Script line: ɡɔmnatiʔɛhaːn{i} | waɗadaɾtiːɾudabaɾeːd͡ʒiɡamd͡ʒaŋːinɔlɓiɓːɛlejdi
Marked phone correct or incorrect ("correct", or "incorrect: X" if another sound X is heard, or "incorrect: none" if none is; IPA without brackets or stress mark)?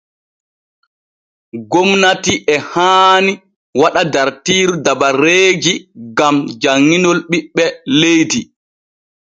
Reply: correct